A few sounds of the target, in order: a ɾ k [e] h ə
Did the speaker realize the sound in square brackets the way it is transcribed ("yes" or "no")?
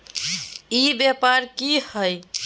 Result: no